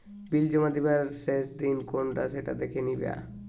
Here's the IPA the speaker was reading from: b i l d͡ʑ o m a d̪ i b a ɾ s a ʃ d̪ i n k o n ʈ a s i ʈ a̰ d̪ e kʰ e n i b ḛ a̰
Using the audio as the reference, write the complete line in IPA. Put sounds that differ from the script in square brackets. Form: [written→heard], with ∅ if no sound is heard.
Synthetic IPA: b i l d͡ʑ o m a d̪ i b a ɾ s [a→e] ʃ d̪ i n k o n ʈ a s [i→e] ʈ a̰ d̪ e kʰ e n i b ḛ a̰